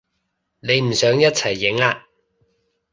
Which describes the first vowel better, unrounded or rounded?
unrounded